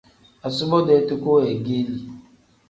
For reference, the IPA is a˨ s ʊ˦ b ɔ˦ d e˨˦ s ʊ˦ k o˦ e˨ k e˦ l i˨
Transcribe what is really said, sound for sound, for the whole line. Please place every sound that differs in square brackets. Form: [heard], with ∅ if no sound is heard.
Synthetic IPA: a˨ s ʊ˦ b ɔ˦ d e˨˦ [t] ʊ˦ k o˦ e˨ [ɡ] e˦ l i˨